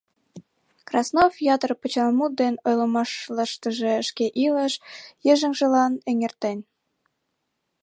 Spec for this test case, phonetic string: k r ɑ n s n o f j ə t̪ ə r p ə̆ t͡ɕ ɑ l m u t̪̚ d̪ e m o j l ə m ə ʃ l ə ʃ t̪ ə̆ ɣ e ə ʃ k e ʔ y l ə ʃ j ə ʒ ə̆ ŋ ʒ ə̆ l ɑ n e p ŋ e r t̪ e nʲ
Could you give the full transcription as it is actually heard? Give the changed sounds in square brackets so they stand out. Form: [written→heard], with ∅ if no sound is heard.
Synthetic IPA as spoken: k r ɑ [n→∅] s n o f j [ə→ɑ] t̪ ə r p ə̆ t͡ɕ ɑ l m u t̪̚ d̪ e [m→n] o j l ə m [ə→ɑ] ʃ l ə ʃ t̪ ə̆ [ɣ→ʒ] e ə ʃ k e ʔ [y→i] l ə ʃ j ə ʒ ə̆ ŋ ʒ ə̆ l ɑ n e [p→∅] ŋ e r t̪ e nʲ